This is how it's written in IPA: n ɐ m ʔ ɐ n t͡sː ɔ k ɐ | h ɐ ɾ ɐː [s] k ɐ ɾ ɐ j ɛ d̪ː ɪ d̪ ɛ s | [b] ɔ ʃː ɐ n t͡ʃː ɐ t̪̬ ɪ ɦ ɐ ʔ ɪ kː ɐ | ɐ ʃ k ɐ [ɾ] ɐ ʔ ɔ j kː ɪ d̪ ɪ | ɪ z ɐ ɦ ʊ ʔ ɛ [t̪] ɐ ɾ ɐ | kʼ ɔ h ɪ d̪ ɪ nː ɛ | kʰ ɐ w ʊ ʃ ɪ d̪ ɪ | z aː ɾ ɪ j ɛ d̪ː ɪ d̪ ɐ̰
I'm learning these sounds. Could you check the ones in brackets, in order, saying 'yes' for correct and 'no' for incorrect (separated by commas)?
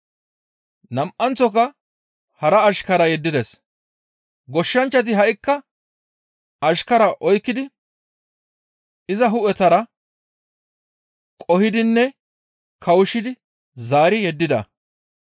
no, no, yes, yes